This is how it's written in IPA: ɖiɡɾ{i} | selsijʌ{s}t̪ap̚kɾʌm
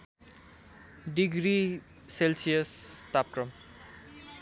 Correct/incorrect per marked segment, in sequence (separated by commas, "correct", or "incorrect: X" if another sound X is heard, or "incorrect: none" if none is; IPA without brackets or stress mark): correct, correct